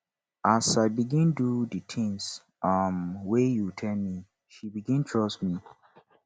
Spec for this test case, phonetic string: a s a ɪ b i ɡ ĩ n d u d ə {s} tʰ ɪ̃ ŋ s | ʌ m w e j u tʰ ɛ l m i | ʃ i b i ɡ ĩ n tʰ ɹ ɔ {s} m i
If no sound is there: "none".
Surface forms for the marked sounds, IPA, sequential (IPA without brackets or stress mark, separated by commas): none, s